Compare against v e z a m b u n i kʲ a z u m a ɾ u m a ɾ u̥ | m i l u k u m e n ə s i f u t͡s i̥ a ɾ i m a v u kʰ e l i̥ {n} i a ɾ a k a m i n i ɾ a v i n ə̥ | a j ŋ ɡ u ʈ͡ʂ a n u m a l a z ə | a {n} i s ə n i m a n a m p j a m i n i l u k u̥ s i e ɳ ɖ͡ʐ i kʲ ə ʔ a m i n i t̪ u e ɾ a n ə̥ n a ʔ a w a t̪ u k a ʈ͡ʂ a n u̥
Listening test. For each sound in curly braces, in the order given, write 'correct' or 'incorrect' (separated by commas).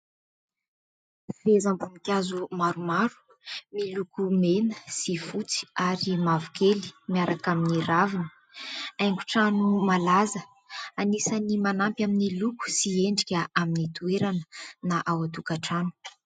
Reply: incorrect, correct